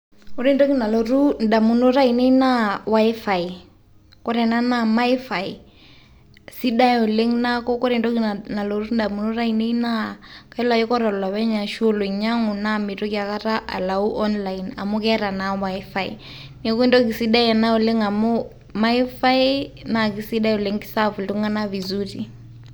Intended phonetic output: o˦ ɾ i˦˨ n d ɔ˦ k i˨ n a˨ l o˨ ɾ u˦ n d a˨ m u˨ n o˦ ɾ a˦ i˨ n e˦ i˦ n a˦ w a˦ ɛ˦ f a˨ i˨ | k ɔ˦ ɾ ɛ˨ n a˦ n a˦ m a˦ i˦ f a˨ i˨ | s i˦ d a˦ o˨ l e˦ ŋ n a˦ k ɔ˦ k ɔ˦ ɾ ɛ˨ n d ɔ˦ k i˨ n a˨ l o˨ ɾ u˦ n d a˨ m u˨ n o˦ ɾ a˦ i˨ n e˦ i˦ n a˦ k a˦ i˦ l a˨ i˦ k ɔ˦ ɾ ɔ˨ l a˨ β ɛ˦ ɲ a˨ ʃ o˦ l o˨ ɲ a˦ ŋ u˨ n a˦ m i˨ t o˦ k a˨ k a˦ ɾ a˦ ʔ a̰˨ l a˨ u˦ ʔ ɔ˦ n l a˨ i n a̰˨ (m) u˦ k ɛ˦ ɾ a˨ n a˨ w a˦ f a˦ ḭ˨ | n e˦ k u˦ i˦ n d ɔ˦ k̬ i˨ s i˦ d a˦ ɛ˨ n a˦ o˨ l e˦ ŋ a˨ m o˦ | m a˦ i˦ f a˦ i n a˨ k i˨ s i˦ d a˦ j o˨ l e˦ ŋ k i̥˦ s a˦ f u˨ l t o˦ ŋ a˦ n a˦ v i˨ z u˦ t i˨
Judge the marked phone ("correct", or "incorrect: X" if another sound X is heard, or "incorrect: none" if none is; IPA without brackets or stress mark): correct